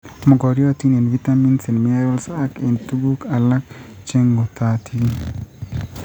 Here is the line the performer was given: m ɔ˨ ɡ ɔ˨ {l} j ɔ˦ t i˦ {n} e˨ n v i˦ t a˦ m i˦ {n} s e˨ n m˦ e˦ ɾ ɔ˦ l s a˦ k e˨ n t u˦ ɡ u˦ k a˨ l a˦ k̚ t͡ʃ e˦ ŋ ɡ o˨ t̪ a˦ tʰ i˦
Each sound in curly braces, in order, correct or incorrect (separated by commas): incorrect, correct, correct